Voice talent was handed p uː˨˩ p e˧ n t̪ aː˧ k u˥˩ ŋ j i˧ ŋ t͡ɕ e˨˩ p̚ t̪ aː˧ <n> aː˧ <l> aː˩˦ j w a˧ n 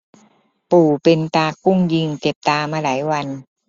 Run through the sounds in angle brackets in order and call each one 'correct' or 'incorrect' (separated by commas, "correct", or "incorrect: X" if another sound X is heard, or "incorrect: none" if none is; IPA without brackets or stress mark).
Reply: incorrect: m, correct